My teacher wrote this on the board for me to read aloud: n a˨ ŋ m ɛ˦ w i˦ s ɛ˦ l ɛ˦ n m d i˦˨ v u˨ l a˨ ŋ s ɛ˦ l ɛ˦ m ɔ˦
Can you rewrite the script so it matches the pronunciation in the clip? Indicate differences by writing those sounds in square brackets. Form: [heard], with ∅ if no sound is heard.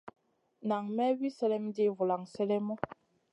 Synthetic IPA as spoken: n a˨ ŋ m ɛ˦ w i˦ s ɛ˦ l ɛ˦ [∅] m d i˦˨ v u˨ l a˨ ŋ s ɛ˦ l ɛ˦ m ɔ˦